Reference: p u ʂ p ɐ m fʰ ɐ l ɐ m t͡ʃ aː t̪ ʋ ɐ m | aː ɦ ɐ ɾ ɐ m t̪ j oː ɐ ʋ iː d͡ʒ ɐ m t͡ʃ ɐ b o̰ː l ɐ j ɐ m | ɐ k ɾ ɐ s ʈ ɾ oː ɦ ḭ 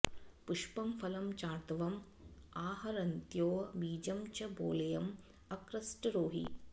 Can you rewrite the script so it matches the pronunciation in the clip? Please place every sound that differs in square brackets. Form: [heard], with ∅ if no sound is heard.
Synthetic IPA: p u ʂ p ɐ m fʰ ɐ l ɐ m t͡ʃ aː t̪ ʋ ɐ m | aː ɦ ɐ ɾ ɐ [n] t̪ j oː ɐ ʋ iː d͡ʒ ɐ m t͡ʃ ɐ b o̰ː l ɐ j ɐ m | ɐ k ɾ ɐ s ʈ ɾ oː ɦ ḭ

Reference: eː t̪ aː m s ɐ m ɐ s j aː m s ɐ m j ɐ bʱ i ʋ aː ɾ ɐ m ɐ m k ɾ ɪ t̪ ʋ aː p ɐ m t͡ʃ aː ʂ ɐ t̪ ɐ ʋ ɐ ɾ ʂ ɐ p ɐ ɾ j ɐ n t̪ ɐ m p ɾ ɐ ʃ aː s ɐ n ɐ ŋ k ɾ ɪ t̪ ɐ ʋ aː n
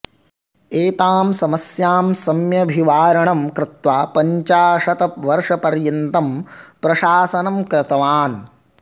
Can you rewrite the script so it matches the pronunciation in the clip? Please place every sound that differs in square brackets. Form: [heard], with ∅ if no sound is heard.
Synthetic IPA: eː t̪ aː m s ɐ m ɐ s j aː m s ɐ m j ɐ bʱ i ʋ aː ɾ ɐ [ɳ] ɐ m k ɾ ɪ t̪ ʋ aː p ɐ [ɲ] t͡ʃ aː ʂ ɐ t̪ ɐ ʋ ɐ ɾ ʂ ɐ p ɐ ɾ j ɐ n t̪ ɐ m p ɾ ɐ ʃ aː s ɐ n ɐ [m] k ɾ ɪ t̪ ɐ ʋ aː n

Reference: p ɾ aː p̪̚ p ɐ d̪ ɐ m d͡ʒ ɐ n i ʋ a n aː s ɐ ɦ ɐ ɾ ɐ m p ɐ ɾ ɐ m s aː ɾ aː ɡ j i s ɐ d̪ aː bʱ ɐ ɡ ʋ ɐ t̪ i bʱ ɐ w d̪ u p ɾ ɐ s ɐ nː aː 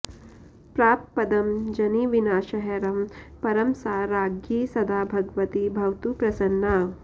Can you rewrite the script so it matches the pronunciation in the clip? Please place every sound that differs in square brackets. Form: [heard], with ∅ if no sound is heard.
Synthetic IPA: p ɾ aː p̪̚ p ɐ d̪ ɐ m d͡ʒ ɐ n i ʋ [i] n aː [ʃ] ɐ ɦ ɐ ɾ ɐ m p ɐ ɾ ɐ m s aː ɾ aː ɡ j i s ɐ d̪ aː bʱ ɐ ɡ ʋ ɐ t̪ i bʱ ɐ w [t̪] u p ɾ ɐ s ɐ nː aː

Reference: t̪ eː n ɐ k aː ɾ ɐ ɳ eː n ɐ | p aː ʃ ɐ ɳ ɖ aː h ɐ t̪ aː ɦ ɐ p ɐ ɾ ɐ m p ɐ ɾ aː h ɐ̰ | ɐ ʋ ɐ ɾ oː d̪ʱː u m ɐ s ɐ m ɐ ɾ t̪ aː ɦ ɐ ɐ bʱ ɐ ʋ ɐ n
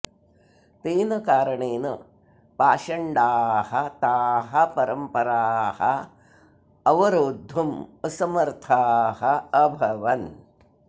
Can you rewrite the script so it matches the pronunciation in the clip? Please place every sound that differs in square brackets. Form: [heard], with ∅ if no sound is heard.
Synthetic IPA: t̪ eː n ɐ k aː ɾ ɐ ɳ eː n ɐ | p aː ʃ ɐ ɳ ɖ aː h ɐ t̪ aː ɦ ɐ p ɐ ɾ ɐ m p ɐ ɾ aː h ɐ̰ | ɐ ʋ ɐ ɾ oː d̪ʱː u m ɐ s ɐ m ɐ ɾ [t̪ʰ] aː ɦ ɐ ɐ bʱ ɐ ʋ ɐ n

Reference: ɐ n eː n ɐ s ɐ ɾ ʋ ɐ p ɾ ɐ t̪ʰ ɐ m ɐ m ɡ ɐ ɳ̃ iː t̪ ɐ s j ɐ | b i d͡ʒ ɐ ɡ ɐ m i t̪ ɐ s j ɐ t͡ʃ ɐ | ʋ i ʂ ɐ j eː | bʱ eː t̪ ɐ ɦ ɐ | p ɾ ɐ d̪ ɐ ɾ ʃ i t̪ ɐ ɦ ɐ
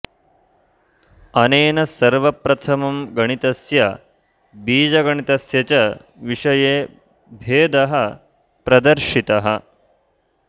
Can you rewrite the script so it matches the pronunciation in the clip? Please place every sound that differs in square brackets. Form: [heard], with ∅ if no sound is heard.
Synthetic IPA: ɐ n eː n ɐ s ɐ ɾ ʋ ɐ p ɾ ɐ t̪ʰ ɐ m ɐ m ɡ ɐ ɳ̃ [i] t̪ ɐ s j ɐ | b [iː] d͡ʒ ɐ ɡ ɐ [ɳ] i t̪ ɐ s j ɐ t͡ʃ ɐ | ʋ i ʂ ɐ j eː | bʱ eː [d̪] ɐ ɦ ɐ | p ɾ ɐ d̪ ɐ ɾ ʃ i t̪ ɐ ɦ ɐ

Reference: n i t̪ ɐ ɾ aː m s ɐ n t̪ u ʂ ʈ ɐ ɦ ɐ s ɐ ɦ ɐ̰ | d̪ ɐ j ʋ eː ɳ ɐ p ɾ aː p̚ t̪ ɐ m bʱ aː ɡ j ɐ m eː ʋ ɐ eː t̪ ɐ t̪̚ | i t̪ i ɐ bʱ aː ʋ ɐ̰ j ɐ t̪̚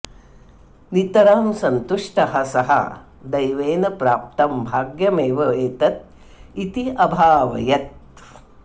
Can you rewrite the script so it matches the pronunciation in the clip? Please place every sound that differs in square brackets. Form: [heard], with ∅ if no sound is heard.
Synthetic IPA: n i t̪ ɐ ɾ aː m s ɐ n t̪ u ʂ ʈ ɐ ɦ ɐ s ɐ ɦ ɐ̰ | d̪ ɐ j ʋ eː [n] ɐ p ɾ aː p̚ t̪ ɐ m bʱ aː ɡ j ɐ m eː ʋ ɐ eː t̪ ɐ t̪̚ | i t̪ i ɐ bʱ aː ʋ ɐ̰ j ɐ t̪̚

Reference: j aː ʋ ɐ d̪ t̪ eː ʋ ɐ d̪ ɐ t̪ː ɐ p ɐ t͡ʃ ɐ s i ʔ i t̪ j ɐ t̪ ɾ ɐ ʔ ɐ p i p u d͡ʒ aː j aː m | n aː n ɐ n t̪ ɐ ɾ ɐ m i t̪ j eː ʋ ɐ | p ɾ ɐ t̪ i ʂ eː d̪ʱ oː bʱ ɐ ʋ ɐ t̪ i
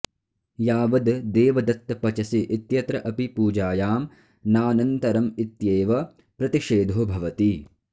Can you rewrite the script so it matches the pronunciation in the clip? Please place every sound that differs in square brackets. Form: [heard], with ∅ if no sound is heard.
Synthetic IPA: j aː ʋ ɐ d̪ [d̪] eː ʋ ɐ d̪ ɐ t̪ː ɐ p ɐ t͡ʃ ɐ s i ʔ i t̪ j ɐ t̪ ɾ ɐ ʔ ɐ p i p [uː] d͡ʒ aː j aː m | n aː n ɐ n t̪ ɐ ɾ ɐ m i t̪ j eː ʋ ɐ | p ɾ ɐ t̪ i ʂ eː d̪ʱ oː bʱ ɐ ʋ ɐ t̪ i

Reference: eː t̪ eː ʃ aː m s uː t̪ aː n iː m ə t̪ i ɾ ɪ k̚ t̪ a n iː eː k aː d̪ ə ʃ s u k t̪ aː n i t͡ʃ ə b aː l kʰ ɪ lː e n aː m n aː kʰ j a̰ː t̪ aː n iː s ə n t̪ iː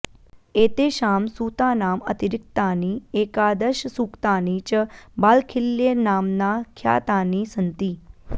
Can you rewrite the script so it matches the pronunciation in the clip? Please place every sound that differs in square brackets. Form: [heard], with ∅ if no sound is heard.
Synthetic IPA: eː t̪ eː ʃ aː m s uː t̪ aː n [aː] m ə t̪ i ɾ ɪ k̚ t̪ a n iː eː k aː d̪ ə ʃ s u k t̪ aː n i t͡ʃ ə b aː l kʰ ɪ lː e n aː m n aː kʰ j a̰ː t̪ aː n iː s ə n t̪ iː

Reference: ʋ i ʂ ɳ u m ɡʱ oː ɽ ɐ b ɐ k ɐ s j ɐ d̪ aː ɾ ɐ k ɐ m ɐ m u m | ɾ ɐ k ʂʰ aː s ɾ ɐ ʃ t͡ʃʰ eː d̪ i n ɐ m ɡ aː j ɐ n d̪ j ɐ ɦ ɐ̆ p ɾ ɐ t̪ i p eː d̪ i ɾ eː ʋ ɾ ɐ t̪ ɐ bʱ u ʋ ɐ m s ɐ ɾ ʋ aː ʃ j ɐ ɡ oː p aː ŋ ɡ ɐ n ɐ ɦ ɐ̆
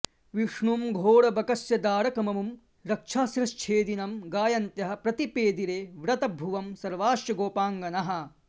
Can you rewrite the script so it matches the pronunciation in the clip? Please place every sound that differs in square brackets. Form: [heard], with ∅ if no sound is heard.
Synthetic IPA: ʋ i ʂ ɳ u m ɡʱ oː ɽ ɐ b ɐ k ɐ s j ɐ d̪ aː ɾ ɐ k ɐ m ɐ m u m | ɾ ɐ k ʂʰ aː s ɾ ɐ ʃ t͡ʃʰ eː d̪ i n ɐ m ɡ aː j ɐ n [t̪] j ɐ ɦ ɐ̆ p ɾ ɐ t̪ i p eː d̪ i ɾ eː ʋ ɾ ɐ t̪ ɐ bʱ u ʋ ɐ m s ɐ ɾ ʋ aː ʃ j ɐ ɡ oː p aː ŋ ɡ ɐ n ɐ ɦ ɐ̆

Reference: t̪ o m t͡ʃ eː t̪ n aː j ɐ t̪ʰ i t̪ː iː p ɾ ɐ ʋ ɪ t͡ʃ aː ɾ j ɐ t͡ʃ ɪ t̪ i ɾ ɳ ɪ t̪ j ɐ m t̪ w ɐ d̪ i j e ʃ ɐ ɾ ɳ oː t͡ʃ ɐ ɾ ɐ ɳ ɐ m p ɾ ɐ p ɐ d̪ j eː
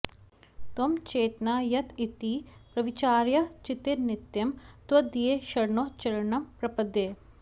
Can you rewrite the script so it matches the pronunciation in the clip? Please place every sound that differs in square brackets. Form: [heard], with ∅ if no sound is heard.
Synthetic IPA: t̪ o m t͡ʃ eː t̪ n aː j ɐ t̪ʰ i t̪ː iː p ɾ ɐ ʋ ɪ t͡ʃ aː ɾ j ɐ t͡ʃ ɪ t̪ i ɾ [n] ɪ t̪ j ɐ m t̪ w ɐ d̪ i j e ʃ ɐ ɾ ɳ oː t͡ʃ ɐ ɾ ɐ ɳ ɐ m p ɾ ɐ p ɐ d̪ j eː

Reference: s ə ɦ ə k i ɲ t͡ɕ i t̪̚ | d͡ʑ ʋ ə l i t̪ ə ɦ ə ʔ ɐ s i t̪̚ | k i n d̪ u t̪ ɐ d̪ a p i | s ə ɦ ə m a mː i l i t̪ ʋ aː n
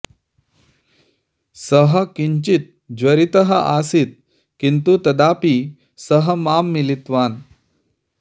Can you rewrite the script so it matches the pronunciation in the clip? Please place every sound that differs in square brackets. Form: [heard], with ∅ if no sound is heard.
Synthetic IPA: s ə ɦ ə k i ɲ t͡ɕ i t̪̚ | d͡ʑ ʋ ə [ɾ] i t̪ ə ɦ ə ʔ [a] s i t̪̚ | k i n [t̪] u t̪ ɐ d̪ a p i | s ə ɦ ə m a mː i l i t̪ ʋ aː n

